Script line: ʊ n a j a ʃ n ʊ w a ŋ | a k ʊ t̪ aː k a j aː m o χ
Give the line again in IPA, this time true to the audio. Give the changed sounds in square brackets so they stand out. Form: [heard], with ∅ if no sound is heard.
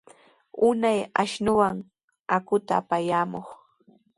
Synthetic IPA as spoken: ʊ n a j a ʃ n ʊ w a ŋ | a k ʊ t̪ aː [p] a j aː m o χ